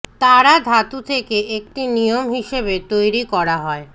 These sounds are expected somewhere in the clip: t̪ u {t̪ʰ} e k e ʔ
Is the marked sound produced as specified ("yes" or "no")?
yes